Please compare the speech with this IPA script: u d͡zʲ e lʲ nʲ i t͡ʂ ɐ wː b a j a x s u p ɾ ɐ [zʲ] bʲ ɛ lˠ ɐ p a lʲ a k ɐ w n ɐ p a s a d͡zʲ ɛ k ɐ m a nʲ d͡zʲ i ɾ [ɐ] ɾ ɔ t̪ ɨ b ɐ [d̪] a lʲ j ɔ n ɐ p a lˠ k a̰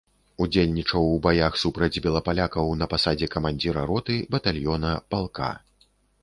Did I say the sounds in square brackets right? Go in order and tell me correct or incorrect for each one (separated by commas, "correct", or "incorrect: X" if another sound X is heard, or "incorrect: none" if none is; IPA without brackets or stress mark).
incorrect: d͡zʲ, correct, incorrect: t̪